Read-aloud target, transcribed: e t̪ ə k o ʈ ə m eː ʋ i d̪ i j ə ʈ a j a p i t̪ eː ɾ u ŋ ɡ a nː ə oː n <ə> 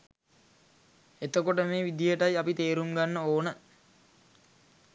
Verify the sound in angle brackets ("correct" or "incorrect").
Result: correct